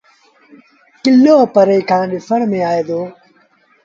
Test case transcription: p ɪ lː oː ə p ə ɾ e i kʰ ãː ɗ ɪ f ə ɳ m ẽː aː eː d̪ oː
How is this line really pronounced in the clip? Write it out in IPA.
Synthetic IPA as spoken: k ɪ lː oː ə p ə ɾ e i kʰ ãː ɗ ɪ f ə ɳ m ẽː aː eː d̪ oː

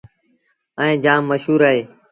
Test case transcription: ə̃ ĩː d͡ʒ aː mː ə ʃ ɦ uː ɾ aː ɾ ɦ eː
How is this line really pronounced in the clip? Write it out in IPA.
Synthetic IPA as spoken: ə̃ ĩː d͡ʒ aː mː ə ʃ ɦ uː ɾ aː ɦ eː

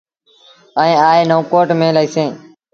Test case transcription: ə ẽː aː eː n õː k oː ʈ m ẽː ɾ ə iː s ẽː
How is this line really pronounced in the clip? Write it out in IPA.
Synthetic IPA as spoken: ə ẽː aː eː n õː k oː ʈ m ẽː l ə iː s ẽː

